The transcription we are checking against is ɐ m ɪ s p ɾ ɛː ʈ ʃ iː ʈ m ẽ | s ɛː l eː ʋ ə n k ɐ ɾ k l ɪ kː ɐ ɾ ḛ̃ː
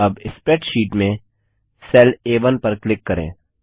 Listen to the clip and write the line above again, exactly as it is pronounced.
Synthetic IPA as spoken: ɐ b ɪ s p ɾ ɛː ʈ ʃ iː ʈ m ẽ | s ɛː l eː ʋ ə n p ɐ ɾ k l ɪ kː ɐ ɾ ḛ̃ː